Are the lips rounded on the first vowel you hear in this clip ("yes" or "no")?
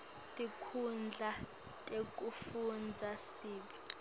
no